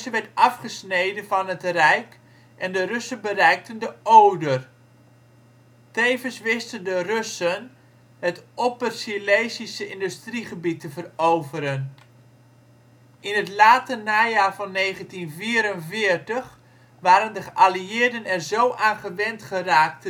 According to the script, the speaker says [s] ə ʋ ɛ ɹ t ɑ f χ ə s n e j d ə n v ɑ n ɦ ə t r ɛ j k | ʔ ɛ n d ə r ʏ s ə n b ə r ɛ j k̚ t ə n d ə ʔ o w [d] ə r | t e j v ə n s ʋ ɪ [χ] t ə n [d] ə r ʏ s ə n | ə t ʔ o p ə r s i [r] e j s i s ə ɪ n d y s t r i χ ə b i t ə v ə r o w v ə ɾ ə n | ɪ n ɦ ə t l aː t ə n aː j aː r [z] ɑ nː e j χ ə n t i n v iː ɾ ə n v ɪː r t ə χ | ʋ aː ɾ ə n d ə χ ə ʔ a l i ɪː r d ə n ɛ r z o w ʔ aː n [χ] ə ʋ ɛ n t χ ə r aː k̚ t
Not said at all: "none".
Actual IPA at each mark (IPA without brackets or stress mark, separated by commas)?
s, d, s, d, l, v, χ